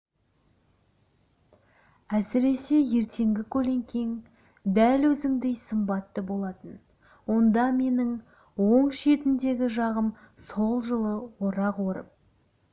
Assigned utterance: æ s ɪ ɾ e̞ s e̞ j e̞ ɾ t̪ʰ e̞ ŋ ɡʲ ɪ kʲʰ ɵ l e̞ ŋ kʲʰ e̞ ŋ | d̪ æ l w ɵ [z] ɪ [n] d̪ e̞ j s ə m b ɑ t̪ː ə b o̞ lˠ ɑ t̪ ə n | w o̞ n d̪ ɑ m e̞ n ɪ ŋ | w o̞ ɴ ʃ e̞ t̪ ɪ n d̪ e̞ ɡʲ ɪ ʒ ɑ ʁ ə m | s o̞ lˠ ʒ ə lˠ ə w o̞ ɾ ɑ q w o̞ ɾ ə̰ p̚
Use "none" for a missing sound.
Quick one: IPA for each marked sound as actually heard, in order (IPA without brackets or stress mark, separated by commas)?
z, ŋ